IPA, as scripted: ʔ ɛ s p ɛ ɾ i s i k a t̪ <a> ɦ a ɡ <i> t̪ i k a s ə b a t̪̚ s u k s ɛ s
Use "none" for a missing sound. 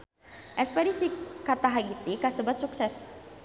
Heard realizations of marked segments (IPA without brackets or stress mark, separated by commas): a, i